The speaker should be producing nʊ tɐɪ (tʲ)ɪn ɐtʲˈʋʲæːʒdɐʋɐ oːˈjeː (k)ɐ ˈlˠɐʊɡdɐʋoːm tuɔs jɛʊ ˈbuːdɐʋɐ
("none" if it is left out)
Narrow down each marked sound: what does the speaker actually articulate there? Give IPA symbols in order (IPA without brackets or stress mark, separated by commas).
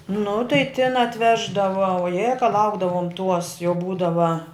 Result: tʲ, k